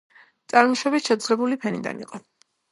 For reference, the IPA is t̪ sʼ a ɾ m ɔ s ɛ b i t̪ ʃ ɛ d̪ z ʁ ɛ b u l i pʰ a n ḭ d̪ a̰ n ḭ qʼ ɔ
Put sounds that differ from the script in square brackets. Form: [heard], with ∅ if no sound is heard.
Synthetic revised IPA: t̪ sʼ a ɾ m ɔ [ʃ] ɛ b i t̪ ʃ ɛ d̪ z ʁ ɛ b u l i pʰ [ɛ] n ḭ d̪ a̰ n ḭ qʼ ɔ